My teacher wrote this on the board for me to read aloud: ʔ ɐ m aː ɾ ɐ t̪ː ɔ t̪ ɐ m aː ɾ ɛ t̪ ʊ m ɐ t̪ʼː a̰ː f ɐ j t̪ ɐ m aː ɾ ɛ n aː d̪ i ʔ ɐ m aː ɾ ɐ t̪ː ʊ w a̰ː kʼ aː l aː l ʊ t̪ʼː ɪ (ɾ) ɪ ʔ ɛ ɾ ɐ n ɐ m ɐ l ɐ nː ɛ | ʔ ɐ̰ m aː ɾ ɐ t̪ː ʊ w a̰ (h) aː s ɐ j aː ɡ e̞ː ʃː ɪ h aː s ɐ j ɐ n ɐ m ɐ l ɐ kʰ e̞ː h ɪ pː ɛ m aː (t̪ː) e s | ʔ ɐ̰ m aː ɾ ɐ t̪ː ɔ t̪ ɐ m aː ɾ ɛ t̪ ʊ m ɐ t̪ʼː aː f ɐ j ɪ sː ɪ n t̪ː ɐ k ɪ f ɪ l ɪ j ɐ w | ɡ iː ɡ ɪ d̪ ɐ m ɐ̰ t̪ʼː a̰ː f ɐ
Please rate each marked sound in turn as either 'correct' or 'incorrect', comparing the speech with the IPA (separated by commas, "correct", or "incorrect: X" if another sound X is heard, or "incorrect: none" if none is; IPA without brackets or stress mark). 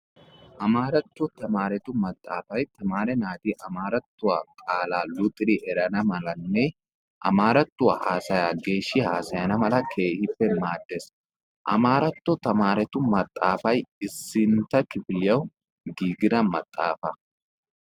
correct, correct, incorrect: d̪ː